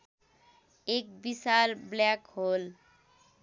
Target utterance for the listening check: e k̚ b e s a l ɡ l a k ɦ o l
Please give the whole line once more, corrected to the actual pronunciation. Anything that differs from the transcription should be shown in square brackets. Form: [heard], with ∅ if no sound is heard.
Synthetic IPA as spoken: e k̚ b [i] s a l [b] l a k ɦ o l